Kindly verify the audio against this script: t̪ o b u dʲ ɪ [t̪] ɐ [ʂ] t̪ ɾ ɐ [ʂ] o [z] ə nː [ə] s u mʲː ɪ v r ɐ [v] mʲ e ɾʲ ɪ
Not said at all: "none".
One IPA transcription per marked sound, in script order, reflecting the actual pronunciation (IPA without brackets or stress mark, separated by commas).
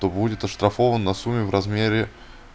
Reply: t̪, ʂ, f, v, ɐ, z